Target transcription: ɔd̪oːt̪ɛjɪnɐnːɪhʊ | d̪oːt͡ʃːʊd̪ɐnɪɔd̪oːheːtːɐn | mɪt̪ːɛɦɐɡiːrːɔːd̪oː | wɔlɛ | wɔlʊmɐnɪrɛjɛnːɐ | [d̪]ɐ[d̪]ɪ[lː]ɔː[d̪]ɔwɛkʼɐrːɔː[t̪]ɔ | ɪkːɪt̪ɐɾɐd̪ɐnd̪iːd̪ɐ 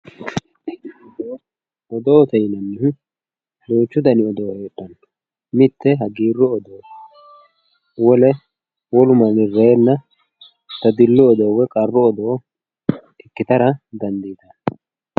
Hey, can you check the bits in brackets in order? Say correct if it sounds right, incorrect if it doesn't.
incorrect: t̪, correct, correct, correct, incorrect: d̪

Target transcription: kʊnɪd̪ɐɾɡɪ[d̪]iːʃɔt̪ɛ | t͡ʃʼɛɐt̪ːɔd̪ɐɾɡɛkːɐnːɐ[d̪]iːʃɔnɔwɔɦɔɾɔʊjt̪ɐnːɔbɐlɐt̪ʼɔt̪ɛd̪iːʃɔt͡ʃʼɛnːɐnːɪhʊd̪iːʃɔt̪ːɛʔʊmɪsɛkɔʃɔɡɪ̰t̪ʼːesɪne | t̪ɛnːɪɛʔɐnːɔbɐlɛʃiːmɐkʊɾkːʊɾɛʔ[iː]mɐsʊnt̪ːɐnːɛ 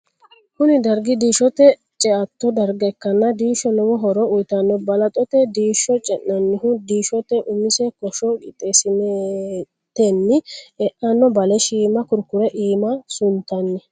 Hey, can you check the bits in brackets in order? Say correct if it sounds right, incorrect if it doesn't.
correct, correct, correct

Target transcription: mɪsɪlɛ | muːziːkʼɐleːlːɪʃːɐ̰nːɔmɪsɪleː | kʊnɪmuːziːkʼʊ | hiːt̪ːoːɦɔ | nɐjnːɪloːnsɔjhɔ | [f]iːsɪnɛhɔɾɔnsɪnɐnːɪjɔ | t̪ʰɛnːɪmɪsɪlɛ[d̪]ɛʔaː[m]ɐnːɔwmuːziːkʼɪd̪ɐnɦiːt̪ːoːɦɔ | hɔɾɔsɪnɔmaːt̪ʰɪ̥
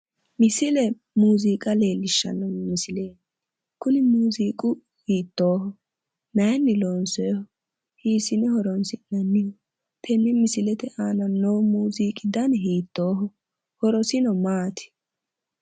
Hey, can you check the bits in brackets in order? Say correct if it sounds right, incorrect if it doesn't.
incorrect: h, incorrect: t̪, incorrect: n

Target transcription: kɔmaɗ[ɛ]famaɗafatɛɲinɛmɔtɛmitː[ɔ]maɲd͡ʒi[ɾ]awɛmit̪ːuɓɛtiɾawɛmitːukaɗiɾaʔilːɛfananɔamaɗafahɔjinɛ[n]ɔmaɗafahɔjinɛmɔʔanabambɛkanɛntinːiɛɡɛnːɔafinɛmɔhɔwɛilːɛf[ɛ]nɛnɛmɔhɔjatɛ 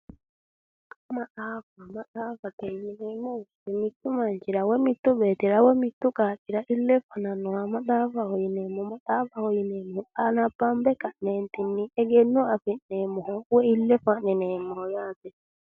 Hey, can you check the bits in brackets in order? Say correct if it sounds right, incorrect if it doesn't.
incorrect: a, incorrect: u, correct, incorrect: m, incorrect: a

